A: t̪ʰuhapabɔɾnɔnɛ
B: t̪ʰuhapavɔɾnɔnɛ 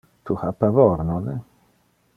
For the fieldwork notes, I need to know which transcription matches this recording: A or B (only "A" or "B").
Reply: B